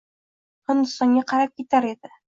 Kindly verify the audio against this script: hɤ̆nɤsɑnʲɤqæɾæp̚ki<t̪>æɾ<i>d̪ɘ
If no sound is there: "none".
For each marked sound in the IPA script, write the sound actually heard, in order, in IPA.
t̪, i

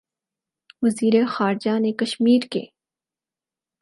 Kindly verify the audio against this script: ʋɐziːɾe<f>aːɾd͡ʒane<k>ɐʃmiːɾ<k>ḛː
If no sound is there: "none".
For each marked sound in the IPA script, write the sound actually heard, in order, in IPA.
x, k, k

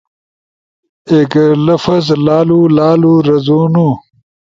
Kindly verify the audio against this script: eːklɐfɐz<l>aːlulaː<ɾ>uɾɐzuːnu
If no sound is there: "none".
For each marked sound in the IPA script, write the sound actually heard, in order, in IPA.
l, l

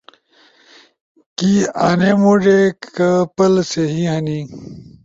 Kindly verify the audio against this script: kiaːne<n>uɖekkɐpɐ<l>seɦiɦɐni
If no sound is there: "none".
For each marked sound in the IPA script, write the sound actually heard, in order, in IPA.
m, l

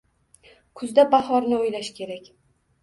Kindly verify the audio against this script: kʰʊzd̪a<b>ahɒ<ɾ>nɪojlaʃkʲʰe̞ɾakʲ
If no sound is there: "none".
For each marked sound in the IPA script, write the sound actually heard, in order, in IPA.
b, ɾ

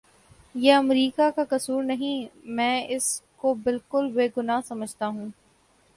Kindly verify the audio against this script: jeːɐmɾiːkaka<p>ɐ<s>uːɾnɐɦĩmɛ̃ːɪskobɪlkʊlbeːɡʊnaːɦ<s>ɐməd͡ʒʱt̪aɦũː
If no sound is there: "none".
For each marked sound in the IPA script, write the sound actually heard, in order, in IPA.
k, s, s

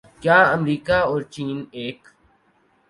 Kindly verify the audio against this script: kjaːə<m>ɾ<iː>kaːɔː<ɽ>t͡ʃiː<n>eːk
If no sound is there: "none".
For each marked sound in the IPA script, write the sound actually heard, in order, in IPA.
m, iː, ɾ, n

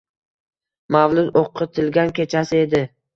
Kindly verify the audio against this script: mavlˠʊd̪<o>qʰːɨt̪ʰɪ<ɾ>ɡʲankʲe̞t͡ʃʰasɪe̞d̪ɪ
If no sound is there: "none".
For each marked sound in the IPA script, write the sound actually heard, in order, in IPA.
o, l

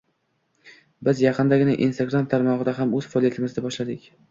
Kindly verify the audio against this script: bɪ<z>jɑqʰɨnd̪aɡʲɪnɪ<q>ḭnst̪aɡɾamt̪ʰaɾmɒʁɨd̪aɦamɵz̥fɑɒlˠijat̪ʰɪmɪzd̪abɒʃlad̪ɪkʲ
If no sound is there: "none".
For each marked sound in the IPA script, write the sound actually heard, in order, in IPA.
z, ʔ

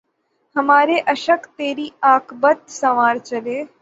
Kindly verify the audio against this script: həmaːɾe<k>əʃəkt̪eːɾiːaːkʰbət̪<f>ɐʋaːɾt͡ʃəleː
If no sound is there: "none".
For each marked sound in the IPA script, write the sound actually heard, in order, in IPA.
ʔ, s

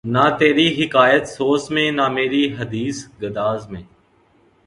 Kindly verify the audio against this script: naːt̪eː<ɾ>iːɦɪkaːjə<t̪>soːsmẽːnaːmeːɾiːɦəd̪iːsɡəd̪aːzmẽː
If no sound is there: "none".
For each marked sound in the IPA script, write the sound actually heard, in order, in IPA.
ɾ, t̪

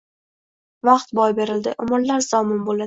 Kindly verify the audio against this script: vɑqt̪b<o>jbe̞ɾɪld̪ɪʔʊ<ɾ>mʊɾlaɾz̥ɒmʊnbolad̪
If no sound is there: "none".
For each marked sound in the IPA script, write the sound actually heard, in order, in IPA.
ɒ, none

